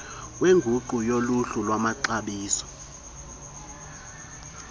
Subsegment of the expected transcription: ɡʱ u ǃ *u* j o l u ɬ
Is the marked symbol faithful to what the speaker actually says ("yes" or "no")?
yes